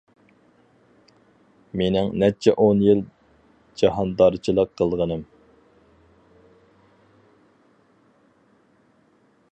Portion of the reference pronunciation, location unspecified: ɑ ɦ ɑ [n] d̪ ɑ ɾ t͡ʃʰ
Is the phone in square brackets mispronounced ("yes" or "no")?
no